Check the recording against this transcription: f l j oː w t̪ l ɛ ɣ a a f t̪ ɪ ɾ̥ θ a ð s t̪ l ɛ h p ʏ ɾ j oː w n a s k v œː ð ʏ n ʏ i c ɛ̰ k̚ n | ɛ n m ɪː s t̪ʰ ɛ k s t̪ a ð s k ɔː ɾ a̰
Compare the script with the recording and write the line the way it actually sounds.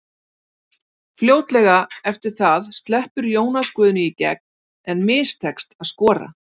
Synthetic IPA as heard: f l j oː w t̪ l ɛ ɣ a ɛ f t̪ ɪ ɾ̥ θ a ð s t̪ l ɛ h p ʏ ɾ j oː w n a s k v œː ð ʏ n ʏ i c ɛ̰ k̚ n | ɛ n m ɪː s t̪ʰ ɛ k s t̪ a ð s k ɔː ɾ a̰

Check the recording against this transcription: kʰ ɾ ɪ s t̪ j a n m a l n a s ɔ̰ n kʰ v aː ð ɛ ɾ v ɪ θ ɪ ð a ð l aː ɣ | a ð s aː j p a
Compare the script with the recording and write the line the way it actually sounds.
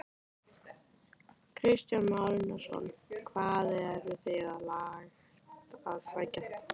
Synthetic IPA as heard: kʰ ɾ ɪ s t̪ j a n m a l n a s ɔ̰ n kʰ v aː ð ɛ ɾ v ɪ θ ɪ ɣ a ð l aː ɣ | a ð s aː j c a

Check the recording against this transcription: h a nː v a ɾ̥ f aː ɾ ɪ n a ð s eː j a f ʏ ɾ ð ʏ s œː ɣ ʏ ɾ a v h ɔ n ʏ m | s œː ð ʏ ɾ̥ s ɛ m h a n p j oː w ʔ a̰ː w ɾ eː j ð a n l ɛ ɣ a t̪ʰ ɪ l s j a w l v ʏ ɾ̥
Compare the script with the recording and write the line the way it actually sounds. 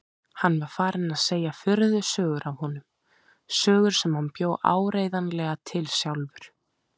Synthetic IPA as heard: h a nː v a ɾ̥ f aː ɾ ɪ n a ð s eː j a f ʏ ɾ ð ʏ s œː ɣ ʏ ɾ a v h ɔ n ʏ m | s œː ɣ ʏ ɾ̥ s ɛ m h a n p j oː w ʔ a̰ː w ɾ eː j ð a n l ɛ ɣ a t̪ʰ ɪ l s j a w l v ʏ ɾ̥

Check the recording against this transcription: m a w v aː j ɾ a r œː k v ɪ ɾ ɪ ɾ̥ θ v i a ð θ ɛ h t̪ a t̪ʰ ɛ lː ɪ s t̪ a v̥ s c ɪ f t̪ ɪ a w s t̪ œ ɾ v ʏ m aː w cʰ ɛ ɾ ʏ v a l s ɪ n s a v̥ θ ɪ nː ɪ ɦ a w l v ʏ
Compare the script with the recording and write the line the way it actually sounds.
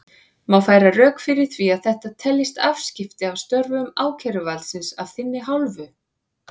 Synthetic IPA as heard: m a w f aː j ɾ a r œː k f ɪ ɾ ɪ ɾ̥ θ v i a ð θ ɛ h t̪ a t̪ʰ ɛ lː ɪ s t̪ a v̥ s c ɪ f t̪ ɪ a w s t̪ œ ɾ v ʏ m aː w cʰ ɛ ɾ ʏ v a l s ɪ n s a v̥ θ ɪ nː ɪ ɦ a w l v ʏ

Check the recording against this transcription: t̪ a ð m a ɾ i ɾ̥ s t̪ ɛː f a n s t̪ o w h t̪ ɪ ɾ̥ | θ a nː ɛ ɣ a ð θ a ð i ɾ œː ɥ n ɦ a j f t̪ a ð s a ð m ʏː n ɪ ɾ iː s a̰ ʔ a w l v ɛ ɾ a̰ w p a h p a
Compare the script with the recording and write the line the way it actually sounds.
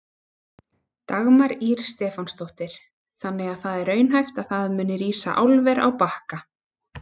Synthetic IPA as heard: t̪ a ɣ m a ɾ i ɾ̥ s t̪ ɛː f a n s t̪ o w h t̪ ɪ ɾ̥ | θ a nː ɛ ɣ a ð θ a ð ɛ ɾ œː ɥ n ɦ a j f t̪ a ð θ a ð m ʏː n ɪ ɾ iː s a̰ ʔ a w l v ɛ ɾ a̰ w p a h k a

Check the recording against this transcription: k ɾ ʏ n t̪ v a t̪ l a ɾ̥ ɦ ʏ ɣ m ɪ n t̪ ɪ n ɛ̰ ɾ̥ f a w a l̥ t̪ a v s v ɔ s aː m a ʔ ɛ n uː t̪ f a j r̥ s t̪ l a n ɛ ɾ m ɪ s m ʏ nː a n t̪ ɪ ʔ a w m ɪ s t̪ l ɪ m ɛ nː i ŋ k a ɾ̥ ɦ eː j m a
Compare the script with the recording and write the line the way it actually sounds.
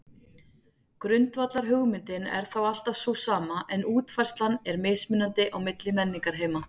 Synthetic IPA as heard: k ɾ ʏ n t̪ v a t̪ l a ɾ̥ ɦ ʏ ɣ m ɪ n t̪ ɪ n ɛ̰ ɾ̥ θ a w a l̥ t̪ a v s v ɔ s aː m a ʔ ɛ n uː t̪ f a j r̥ s t̪ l a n ɛ ɾ m ɪ s m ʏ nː a n t̪ ɪ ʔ a w m ɪ t̪ l ɪ m ɛ nː i ŋ k a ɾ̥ ɦ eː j m a

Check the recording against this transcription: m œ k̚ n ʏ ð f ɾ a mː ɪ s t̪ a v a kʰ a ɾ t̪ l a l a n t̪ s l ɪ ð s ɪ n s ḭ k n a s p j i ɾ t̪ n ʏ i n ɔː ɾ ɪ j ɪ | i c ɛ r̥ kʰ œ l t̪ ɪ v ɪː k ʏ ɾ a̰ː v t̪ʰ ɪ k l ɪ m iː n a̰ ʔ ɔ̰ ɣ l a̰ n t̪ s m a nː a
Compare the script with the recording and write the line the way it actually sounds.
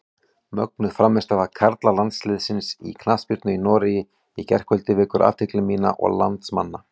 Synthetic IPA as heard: m œ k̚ n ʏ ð f ɾ a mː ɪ s t̪ a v a kʰ a ɾ t̪ l a l a n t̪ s l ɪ ð s ɪ n s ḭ kʰ n a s p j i ɾ t̪ n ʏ i n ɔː ɾ ɪ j ɪ | i c ɛ r̥ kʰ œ l t̪ ɪ v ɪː k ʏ ɾ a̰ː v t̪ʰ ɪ k l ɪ m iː n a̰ ʔ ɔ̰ ɣ l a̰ n t̪ s m a nː a

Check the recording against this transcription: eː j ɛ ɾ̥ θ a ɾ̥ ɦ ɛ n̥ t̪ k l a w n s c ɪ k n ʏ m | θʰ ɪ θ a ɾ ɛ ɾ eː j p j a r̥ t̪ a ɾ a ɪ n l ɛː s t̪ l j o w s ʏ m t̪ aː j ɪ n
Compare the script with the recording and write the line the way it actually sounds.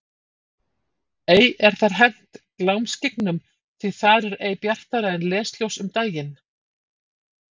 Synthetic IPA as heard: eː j ɛ ɾ̥ θ a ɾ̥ ɦ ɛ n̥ t̪ k l a w m s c ɪ k n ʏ m | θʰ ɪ θ a ɾ ɛ ɾ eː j p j a r̥ t̪ a ɾ a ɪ n l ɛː s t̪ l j o w s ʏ m t̪ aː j ɪ n

